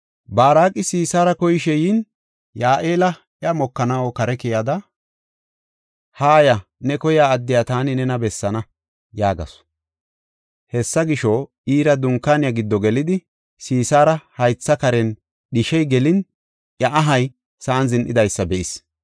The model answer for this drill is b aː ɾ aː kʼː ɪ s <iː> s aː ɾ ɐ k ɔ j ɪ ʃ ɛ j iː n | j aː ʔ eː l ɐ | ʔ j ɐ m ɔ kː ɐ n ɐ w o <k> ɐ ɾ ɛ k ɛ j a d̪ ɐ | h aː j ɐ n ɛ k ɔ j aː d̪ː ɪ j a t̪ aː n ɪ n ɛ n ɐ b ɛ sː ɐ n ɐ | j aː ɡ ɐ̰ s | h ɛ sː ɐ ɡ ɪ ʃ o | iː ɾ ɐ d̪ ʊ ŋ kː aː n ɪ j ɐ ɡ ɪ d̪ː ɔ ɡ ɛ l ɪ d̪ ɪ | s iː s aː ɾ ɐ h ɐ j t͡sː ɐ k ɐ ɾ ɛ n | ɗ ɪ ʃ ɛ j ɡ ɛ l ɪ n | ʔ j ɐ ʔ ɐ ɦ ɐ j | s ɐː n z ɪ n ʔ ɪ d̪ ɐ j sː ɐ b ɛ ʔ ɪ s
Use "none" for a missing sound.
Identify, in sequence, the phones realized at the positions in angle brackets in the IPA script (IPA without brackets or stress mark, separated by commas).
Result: iː, k